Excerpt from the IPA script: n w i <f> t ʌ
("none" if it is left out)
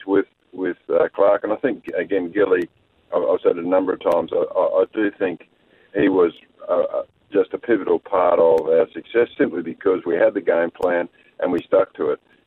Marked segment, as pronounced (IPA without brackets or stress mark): s